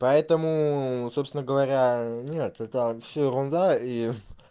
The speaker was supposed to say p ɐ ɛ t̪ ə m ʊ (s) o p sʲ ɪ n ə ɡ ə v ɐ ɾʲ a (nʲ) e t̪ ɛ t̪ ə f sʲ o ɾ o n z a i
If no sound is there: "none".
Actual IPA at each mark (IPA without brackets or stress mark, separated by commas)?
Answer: s, nʲ